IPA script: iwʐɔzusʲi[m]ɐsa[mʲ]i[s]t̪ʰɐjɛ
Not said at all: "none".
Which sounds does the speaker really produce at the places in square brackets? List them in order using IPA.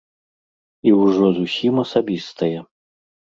m, bʲ, s

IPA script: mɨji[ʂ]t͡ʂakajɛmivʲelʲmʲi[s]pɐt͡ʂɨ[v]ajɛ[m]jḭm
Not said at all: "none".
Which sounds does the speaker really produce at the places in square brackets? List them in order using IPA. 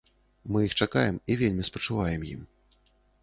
x, s, v, m

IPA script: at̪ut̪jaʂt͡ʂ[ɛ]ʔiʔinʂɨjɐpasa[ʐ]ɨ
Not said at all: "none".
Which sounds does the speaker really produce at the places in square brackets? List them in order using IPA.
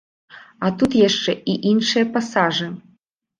ɛ, ʐ

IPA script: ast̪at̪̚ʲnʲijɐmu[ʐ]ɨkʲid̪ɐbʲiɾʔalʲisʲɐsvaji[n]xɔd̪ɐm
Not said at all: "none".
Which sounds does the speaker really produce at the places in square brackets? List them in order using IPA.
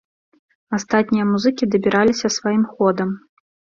z, m

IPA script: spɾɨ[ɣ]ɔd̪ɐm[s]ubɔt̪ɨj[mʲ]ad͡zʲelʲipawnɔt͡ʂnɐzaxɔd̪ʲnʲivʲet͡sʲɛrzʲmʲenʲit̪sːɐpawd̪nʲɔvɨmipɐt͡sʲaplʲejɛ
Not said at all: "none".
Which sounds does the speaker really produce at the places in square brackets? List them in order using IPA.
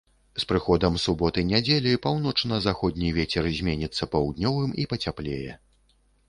x, s, nʲ

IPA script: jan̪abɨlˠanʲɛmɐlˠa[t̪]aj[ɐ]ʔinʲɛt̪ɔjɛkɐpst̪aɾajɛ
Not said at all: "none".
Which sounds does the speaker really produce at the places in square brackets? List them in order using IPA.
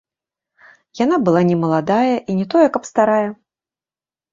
d̪, ɐ

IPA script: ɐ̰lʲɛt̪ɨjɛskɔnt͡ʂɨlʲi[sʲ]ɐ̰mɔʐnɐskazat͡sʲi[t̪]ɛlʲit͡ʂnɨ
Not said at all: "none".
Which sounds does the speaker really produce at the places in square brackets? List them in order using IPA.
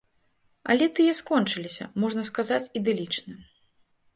sʲ, d̪

